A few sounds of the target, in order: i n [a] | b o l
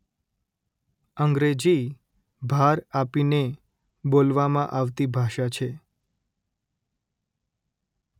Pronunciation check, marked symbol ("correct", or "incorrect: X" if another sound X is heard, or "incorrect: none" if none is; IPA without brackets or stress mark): incorrect: e